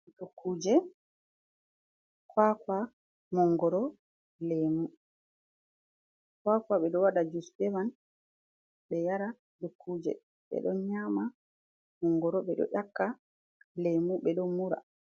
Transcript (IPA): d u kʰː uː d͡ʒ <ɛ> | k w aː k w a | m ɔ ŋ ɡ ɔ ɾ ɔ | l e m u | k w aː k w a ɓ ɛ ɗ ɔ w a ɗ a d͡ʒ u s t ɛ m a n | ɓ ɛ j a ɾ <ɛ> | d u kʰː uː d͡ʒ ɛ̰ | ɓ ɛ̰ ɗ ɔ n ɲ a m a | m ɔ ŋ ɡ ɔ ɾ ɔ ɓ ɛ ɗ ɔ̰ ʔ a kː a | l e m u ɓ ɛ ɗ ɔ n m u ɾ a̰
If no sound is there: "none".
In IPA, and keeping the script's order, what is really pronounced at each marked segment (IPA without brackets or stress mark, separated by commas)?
ɛ, a